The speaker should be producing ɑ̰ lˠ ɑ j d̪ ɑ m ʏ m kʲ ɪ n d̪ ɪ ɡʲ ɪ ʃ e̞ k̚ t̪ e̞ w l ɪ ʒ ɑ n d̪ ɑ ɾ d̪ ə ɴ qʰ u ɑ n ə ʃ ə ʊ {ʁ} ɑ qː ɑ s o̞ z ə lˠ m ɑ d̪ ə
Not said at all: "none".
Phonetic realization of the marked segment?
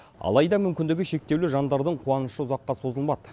z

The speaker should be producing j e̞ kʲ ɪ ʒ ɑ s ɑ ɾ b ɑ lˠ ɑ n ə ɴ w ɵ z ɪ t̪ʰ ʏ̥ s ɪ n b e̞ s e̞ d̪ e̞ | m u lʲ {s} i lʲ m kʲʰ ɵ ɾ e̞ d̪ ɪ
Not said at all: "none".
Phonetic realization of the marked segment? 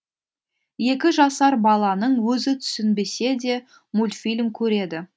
f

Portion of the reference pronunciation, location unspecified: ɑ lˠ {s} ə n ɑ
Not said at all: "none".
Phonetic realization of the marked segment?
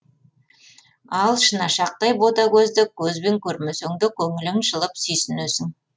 ʃ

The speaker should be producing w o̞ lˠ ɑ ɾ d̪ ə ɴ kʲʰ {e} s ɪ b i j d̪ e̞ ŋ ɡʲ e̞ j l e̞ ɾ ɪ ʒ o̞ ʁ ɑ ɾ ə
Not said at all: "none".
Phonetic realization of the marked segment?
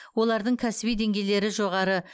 æ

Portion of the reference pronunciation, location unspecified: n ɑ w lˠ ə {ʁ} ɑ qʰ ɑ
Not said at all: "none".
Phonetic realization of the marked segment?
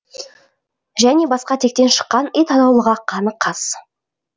ʁ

